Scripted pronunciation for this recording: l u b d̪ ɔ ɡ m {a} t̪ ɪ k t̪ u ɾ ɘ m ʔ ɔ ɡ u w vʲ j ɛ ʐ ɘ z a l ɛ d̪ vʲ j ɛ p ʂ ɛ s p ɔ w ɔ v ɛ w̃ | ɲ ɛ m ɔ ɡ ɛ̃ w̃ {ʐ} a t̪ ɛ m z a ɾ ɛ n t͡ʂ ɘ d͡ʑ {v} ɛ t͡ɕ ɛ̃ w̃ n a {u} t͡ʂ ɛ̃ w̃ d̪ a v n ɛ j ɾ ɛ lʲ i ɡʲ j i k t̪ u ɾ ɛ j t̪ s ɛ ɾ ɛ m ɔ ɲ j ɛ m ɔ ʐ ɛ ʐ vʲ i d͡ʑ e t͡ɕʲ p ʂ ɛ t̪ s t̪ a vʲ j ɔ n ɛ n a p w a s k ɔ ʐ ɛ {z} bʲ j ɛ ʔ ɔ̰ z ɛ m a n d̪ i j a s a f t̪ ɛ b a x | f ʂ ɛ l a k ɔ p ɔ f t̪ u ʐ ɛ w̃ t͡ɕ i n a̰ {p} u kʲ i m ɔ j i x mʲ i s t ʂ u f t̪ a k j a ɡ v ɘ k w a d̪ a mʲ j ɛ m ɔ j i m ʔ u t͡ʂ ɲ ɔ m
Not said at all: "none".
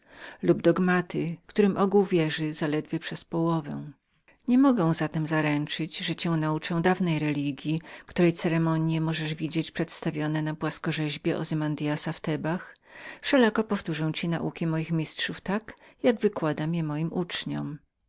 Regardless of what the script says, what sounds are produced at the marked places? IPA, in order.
a, z, ʐ, u, ʑ, ʔ

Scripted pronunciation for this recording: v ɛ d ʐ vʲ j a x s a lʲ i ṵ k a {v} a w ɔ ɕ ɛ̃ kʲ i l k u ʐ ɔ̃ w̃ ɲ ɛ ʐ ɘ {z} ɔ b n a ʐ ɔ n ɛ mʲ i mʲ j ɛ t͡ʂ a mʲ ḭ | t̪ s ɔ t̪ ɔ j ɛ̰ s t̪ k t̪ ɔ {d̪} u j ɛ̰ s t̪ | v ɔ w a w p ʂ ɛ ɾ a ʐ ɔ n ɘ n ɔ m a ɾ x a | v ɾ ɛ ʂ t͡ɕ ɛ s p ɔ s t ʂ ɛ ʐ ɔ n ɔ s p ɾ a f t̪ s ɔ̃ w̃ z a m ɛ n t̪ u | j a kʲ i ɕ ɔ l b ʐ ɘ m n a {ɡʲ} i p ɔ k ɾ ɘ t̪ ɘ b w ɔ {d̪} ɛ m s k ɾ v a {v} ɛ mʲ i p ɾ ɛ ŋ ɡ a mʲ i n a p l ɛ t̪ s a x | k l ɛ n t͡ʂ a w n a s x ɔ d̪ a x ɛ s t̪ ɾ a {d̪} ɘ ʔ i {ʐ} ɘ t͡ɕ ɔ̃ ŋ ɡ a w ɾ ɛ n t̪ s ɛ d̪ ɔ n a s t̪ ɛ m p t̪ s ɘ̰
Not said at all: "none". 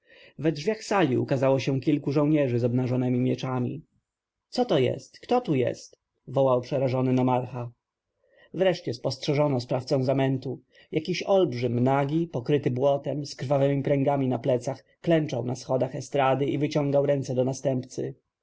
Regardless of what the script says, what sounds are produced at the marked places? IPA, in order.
z, z, t̪, ɡʲ, t̪, v, d̪, v

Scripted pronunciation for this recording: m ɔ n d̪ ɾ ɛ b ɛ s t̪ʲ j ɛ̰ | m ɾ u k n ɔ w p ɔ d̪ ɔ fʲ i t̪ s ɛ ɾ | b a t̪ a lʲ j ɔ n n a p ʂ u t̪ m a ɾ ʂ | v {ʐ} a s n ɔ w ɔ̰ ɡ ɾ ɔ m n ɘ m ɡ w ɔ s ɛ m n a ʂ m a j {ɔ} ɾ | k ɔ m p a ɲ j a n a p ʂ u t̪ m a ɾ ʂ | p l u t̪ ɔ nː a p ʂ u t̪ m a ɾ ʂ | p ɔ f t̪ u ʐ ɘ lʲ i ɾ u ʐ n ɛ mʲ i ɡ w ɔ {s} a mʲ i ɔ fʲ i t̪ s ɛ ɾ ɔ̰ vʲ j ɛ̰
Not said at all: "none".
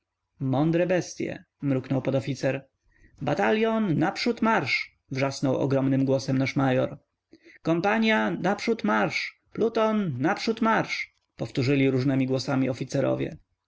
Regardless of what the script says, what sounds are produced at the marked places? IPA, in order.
ʐ, ɔ, s

